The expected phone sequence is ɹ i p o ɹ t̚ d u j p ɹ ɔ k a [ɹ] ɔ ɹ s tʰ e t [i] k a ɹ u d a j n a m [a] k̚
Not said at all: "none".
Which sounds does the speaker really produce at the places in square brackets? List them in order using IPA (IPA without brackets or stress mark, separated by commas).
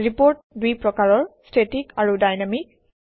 ɹ, i, i